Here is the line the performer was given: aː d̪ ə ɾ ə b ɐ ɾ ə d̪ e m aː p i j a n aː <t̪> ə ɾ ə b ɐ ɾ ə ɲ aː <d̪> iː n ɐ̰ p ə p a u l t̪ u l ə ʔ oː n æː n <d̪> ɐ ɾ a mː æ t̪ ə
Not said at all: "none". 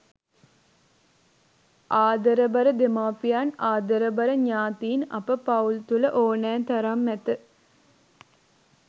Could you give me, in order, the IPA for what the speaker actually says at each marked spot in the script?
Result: d̪, t̪, t̪

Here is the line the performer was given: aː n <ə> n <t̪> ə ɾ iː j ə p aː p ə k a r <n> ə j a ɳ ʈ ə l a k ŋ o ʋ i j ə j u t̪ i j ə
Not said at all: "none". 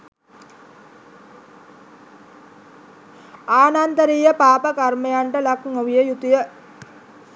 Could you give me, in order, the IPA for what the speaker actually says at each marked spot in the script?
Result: a, t̪, m

